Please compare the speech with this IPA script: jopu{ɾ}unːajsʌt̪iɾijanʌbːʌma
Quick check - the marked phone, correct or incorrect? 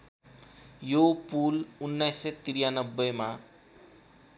incorrect